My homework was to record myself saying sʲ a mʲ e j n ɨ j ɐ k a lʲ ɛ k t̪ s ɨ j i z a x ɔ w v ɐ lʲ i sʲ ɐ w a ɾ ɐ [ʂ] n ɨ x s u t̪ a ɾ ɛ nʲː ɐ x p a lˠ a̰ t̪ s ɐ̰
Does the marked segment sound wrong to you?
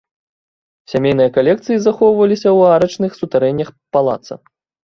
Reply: yes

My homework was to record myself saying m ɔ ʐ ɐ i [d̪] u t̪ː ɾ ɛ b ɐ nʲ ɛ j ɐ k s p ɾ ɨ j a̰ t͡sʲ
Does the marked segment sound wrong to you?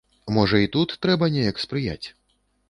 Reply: yes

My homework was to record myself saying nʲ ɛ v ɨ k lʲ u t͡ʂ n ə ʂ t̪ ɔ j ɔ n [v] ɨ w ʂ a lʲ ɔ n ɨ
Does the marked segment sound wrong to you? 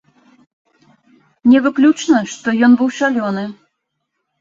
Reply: yes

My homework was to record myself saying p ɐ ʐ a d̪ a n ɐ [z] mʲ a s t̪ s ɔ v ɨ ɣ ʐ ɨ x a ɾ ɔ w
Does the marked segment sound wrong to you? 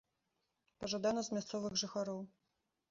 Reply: no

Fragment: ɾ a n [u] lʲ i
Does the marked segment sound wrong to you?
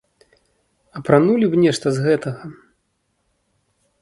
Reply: no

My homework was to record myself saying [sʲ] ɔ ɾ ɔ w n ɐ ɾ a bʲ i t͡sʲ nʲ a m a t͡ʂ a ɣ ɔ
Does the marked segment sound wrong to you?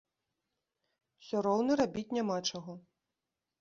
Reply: no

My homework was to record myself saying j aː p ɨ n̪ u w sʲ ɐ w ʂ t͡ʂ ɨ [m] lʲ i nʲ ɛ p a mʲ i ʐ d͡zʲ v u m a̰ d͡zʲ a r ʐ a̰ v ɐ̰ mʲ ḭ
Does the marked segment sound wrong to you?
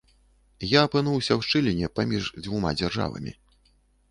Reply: yes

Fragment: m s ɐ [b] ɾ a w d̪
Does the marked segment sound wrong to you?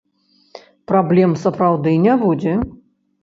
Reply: yes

